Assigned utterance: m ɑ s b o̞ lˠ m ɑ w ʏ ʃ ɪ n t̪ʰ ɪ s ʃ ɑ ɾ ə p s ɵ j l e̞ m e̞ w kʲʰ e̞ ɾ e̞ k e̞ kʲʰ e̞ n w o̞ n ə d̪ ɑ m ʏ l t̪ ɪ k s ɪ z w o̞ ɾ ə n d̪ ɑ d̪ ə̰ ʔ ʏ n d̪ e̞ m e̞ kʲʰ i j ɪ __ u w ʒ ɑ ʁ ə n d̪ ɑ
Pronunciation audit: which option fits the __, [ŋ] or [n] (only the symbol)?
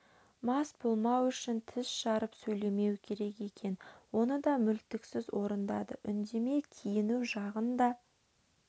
n